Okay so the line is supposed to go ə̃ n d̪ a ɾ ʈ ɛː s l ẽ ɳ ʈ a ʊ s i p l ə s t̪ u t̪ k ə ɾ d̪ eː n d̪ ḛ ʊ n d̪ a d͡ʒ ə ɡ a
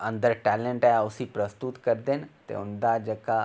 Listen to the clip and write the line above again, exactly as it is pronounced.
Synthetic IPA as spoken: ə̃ n d̪ ə ɾ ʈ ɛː l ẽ ɳ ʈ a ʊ s i p ɾ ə s t̪ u t̪ k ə ɾ d̪ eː n t̪ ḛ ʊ n d̪ a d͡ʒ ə k a